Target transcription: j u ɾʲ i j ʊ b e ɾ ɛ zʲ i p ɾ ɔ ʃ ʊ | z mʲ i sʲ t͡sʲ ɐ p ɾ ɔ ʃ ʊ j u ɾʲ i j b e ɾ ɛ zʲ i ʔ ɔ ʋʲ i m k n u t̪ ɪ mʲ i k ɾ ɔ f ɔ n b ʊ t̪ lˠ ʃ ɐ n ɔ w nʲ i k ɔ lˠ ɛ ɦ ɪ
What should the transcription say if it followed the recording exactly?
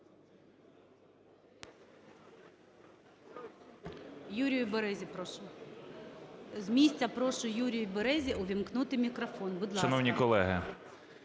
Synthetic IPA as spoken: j u ɾʲ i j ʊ b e ɾ ɛ zʲ i p ɾ ɔ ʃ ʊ | z mʲ i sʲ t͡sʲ ɐ p ɾ ɔ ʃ ʊ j u ɾʲ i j b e ɾ ɛ zʲ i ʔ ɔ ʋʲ i m k n u t̪ ɪ mʲ i k ɾ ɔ f ɔ n b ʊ d̪ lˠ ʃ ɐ n ɔ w nʲ i k ɔ lˠ ɛ ɦ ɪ